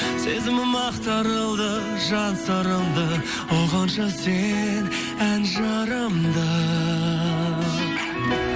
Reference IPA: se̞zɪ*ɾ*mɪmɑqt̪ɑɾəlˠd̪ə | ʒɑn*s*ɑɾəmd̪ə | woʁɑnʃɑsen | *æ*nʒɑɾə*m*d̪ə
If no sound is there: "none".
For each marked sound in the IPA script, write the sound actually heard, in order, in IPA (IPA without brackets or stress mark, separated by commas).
none, s, æ, m